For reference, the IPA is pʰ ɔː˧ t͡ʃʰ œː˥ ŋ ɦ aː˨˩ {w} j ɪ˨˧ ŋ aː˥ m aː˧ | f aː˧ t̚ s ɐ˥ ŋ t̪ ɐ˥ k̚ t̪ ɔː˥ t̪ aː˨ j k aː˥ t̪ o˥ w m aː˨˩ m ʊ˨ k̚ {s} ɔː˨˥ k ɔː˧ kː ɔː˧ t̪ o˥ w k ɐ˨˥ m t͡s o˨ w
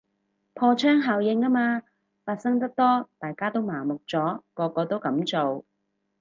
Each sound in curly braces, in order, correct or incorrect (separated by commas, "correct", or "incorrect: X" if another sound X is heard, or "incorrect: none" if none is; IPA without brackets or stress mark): correct, incorrect: t͡s